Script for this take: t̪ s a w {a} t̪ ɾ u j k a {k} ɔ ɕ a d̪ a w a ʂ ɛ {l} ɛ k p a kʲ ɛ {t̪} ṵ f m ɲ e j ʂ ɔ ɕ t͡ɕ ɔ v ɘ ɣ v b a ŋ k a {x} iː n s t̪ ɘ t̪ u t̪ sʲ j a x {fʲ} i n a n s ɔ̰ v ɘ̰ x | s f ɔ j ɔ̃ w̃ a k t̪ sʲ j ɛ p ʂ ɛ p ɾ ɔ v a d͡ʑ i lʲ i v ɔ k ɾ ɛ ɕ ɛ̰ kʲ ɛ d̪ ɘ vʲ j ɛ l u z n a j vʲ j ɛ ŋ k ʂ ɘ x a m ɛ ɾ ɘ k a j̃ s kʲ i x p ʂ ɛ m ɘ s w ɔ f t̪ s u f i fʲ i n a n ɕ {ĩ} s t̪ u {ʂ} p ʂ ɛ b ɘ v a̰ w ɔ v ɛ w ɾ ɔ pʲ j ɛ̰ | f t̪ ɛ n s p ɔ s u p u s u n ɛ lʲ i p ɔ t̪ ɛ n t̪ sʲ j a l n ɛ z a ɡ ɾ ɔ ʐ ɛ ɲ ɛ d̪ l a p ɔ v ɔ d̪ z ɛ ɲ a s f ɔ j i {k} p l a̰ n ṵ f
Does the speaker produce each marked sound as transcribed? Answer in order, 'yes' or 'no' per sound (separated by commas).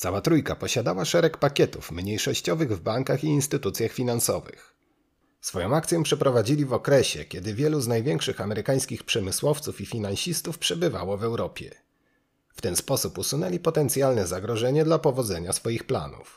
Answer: yes, no, no, yes, yes, yes, no, no, no